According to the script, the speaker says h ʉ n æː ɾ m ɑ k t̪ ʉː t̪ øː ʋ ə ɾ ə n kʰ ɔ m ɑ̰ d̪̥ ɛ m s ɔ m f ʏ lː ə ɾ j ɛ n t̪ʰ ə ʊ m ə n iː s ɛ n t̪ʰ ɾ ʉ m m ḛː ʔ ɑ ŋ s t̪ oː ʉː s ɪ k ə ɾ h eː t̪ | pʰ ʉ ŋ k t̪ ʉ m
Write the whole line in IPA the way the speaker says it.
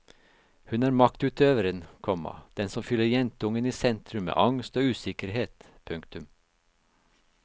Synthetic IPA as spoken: h ʉ n æː ɾ m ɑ k t̪ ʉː t̪ øː ʋ ə ɾ ə n kʰ ɔ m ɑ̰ d̪̥ ɛ n s ɔ m f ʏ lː ə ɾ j ɛ n t̪ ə ʊ ŋ ə n iː s ɛ n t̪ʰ ɾ ʉ m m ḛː ʔ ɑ ŋ s t̪ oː ʉː s ɪ k ə ɾ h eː t̪ | pʰ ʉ ŋ k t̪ ʉ m